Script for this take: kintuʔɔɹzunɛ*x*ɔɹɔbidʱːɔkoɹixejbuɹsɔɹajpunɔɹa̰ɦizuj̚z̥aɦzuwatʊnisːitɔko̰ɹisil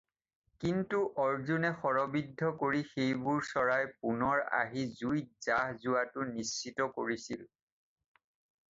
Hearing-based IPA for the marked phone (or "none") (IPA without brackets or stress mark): x